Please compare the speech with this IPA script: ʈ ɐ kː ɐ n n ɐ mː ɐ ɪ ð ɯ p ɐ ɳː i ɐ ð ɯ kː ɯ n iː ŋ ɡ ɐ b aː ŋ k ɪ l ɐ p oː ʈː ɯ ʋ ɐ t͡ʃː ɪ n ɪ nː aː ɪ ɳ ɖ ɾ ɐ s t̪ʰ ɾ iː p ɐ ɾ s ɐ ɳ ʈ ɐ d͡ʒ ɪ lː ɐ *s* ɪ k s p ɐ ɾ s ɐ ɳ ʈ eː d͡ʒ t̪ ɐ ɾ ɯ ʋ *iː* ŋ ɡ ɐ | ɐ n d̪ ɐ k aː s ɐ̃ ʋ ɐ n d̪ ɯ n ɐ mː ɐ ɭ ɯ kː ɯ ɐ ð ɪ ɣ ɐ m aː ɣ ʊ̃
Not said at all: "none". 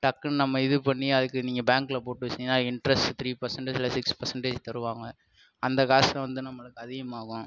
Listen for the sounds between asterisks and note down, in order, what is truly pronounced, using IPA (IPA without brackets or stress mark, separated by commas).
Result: s, aː